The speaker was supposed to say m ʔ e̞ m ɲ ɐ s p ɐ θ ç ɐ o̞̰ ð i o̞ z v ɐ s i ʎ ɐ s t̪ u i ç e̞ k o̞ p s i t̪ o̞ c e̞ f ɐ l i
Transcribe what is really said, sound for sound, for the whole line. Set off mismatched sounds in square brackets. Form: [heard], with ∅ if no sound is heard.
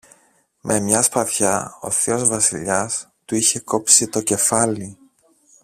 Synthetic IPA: m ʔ e̞ m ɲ ɐ s p ɐ θ ç ɐ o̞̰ [θ] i o̞ z v ɐ s i ʎ ɐ s t̪ u i ç e̞ k o̞ p s i t̪ o̞ c e̞ f ɐ l i